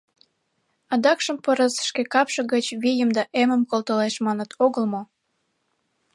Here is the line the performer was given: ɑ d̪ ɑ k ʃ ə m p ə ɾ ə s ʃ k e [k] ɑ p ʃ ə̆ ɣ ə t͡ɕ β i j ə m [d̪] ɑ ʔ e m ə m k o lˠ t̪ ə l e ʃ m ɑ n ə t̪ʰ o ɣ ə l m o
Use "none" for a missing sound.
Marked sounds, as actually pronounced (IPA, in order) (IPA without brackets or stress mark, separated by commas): k, d̪